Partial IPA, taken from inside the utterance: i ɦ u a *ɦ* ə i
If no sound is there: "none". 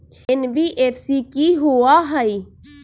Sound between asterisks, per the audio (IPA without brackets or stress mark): ɦ